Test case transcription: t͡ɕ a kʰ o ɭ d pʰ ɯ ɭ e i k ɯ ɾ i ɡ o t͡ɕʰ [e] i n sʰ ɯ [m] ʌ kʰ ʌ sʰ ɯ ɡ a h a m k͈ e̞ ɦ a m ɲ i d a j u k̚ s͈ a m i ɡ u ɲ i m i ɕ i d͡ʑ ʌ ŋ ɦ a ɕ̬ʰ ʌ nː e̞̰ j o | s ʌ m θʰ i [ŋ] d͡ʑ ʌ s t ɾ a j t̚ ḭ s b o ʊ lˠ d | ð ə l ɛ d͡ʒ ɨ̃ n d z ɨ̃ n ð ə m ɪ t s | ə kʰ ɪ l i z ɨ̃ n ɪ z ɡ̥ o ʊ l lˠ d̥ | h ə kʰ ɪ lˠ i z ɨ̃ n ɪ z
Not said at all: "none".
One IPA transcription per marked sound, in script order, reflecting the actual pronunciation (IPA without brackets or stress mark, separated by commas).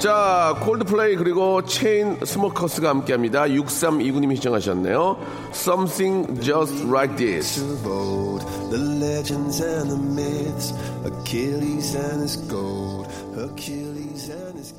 e, m, ŋ